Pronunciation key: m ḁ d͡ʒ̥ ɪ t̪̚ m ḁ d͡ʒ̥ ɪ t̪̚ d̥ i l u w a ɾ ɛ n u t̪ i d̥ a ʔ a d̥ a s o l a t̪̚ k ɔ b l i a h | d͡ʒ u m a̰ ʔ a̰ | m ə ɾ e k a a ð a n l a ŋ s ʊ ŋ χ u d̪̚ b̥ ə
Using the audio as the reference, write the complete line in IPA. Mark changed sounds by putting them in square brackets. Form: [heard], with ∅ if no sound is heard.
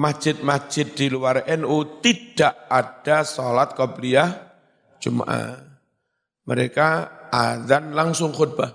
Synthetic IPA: m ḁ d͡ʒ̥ ɪ t̪̚ m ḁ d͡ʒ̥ ɪ t̪̚ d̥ i l u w a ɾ ɛ n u t̪ i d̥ a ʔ a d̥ a s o l a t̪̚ k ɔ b l i a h | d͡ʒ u m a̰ ʔ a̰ | m ə ɾ e k a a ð a n l a ŋ s ʊ ŋ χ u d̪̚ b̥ [a]